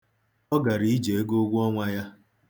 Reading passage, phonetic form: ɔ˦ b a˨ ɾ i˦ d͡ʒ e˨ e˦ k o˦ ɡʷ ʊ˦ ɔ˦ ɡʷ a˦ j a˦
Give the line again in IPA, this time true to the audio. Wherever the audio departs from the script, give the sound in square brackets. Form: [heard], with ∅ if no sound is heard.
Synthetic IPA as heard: ɔ˦ [ɡ] a˨ ɾ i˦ d͡ʒ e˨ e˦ [ɡ] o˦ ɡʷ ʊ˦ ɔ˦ [ŋʷ] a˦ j a˦